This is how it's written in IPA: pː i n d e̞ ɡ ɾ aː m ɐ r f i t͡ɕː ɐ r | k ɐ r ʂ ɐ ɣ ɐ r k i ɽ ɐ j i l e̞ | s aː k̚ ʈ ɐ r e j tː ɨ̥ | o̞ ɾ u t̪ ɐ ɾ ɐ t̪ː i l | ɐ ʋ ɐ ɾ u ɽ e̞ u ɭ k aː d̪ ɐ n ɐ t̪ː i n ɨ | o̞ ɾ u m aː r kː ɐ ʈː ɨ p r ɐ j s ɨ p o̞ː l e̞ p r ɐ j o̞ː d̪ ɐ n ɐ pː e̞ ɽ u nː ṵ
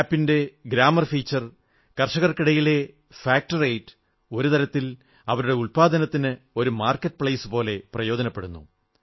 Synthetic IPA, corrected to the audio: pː i n d e̞ ɡ ɾ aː m ɐ r f iː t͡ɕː ɐ r | k ɐ r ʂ ɐ ɣ ɐ r k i ɽ ɐ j i l e̞ | f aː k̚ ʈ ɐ r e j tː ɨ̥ | o̞ ɾ u t̪ ɐ ɾ ɐ t̪ː i l | ɐ ʋ ɐ ɾ u ɽ e̞ u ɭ p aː d̪ ɐ n ɐ t̪ː i n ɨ | o̞ ɾ u m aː r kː ɐ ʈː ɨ p ɭ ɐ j s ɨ p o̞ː l e̞ p r ɐ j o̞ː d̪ ɐ n ɐ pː e̞ ɽ u nː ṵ

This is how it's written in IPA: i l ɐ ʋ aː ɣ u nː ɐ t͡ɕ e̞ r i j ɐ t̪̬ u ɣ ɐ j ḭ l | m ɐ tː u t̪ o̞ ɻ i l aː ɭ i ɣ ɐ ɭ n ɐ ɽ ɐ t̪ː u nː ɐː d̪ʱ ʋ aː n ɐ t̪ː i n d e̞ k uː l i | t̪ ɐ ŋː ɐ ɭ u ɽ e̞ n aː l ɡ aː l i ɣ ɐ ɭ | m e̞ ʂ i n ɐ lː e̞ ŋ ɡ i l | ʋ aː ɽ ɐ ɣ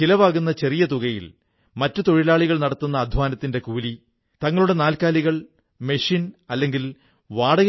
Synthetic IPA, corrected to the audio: i l ɐ ʋ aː ɣ u nː ɐ t͡ɕ e̞ r i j ɐ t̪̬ u ɣ ɐ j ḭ l | m ɐ tː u t̪ o̞ ɻ i l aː ɭ i ɣ ɐ ɭ n ɐ ɽ ɐ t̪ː u nː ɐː d̪ʱ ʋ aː n ɐ t̪ː i n d e̞ k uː l i | t̪ ɐ ŋː ɐ ɭ u ɽ e̞ n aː l k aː l i ɣ ɐ ɭ | m e̞ ʂ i n ɐ lː e̞ ŋ ɡ i l | ʋ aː ɽ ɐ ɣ

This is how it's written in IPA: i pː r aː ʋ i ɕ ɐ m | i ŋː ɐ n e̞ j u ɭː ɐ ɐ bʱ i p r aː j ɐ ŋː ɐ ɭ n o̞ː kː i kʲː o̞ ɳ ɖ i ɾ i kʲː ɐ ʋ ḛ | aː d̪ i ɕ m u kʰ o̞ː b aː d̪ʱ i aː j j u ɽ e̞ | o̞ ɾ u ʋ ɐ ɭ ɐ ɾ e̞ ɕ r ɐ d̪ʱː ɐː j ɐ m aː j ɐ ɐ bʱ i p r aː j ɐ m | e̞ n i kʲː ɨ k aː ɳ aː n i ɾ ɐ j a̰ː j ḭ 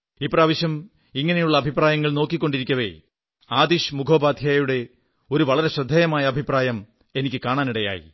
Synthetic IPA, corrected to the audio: i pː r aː ʋ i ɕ ɐ m | i ŋː ɐ n e̞ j u ɭː ɐ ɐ bʱ i p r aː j ɐ ŋː ɐ ɭ n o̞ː kː i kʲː o̞ ɳ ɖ i ɾ i kʲː ɐ ʋ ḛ | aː d̪ i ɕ m u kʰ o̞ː b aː d̪ʱ j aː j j u ɽ e̞ | o̞ ɾ u ʋ ɐ ɭ ɐ ɾ e̞ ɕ r ɐ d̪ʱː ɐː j ɐ m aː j ɐ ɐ bʱ i p r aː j ɐ m | e̞ n i kʲː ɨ k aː ɳ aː n i ɽ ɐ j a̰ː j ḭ

